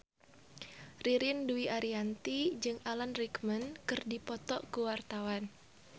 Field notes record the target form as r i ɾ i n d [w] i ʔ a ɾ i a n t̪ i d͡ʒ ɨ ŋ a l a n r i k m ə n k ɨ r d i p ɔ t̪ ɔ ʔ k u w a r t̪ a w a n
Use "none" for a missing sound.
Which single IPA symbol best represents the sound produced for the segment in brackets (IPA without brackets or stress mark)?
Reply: u